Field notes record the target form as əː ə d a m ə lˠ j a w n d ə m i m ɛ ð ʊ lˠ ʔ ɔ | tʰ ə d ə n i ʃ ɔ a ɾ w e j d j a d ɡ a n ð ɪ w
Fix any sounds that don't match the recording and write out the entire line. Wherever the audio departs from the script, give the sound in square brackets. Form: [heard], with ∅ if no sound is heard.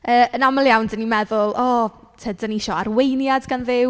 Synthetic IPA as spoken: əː ə [n] a m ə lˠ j a w n d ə [n] i m ɛ ð ʊ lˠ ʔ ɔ | tʰ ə d ə n i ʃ ɔ a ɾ w e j [n] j a d ɡ a n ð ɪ w